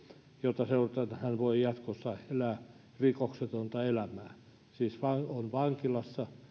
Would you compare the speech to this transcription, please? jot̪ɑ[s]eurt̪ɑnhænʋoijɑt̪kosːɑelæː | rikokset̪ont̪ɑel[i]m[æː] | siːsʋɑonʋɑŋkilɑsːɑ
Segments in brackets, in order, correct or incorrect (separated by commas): correct, incorrect, correct